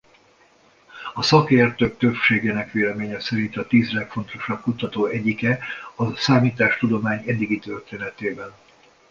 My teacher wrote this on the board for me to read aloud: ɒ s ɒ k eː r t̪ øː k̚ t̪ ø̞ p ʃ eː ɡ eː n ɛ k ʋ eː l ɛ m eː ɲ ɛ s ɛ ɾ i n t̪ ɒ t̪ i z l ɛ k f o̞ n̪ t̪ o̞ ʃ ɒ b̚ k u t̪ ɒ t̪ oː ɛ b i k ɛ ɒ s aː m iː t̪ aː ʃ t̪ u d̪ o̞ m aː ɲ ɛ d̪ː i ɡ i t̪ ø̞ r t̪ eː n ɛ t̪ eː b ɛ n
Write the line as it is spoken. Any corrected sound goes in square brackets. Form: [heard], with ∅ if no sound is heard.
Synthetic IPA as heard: ɒ s ɒ k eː r t̪ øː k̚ t̪ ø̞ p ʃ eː ɡ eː n ɛ k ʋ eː l ɛ m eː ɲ ɛ s ɛ ɾ i n t̪ ɒ t̪ [iː] z l ɛ k f o̞ n̪ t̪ o̞ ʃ ɒ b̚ k u t̪ ɒ t̪ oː ɛ [ɟ] i k ɛ ɒ s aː m iː t̪ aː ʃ t̪ u d̪ o̞ m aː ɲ ɛ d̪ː i ɡ i t̪ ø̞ r t̪ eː n ɛ t̪ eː b ɛ n